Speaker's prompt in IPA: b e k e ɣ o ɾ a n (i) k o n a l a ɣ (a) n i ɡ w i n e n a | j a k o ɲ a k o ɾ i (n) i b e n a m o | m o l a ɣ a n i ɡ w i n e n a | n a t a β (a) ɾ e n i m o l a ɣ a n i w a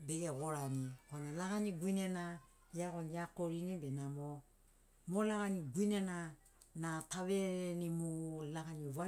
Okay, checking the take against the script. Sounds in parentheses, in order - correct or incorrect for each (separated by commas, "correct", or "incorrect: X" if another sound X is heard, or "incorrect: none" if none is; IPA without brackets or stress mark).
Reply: correct, correct, correct, incorrect: e